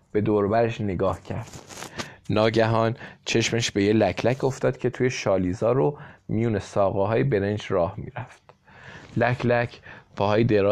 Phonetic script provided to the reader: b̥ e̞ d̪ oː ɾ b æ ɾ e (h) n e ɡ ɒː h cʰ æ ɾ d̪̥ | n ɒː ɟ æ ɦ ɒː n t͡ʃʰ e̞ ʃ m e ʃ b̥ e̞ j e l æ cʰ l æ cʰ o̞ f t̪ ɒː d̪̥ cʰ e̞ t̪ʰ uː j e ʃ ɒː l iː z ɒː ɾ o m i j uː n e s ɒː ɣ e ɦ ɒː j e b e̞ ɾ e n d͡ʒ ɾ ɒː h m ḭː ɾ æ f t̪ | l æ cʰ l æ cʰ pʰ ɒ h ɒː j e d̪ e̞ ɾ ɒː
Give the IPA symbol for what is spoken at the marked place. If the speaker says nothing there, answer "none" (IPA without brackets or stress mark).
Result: ʃ